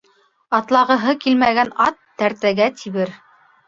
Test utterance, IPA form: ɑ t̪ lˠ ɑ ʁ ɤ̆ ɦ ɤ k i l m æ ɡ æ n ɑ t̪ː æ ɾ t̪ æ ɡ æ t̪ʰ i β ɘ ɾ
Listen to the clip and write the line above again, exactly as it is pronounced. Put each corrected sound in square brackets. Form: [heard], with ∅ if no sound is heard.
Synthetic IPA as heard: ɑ t̪ lˠ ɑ ʁ ɤ̆ ɦ ɤ k i l m æ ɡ æ n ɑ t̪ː æ ɾ t̪ æ ɡ æ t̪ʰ i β ɘ ɾ